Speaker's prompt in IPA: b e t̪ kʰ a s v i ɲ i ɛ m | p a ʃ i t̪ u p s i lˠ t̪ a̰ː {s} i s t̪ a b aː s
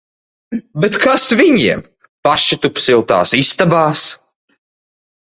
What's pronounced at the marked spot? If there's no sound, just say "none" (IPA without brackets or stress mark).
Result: s